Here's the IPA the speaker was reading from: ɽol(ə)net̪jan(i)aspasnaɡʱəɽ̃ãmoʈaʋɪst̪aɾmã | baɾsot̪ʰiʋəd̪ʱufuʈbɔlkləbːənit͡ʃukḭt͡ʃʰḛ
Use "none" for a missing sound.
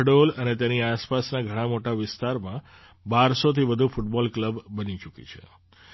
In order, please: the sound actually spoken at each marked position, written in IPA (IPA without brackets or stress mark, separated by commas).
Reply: ə, i